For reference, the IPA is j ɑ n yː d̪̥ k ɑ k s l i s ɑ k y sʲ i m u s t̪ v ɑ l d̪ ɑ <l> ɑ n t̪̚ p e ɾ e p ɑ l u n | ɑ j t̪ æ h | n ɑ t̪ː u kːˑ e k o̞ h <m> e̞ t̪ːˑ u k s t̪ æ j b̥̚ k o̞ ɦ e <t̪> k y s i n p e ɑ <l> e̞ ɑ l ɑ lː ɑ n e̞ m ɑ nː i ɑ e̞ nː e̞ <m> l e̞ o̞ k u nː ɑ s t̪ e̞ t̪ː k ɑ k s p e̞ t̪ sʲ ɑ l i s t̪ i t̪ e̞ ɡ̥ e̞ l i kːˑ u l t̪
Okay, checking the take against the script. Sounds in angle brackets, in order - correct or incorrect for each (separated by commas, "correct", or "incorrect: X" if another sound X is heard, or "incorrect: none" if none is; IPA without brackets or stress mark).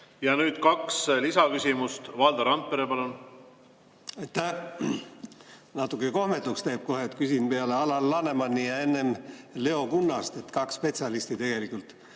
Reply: incorrect: ɾ, correct, correct, correct, correct